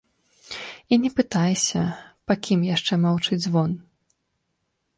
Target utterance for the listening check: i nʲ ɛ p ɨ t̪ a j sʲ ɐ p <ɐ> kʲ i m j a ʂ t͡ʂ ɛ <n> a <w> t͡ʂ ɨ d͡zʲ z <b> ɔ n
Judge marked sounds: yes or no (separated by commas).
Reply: no, no, yes, no